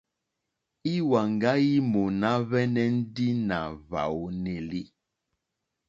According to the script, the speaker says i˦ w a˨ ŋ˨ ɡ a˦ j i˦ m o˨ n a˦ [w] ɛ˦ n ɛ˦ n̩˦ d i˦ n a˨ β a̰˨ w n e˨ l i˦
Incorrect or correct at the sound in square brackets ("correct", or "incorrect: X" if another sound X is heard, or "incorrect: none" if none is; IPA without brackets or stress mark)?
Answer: incorrect: β